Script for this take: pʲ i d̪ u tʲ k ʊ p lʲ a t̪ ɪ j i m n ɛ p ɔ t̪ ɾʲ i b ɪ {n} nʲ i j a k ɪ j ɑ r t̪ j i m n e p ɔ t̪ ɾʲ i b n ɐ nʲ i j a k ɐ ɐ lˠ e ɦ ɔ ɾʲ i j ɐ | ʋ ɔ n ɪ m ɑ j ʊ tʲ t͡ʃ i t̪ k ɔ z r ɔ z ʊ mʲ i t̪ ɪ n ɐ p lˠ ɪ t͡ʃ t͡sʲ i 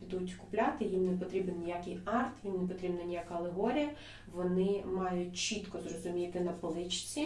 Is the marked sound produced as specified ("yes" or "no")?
yes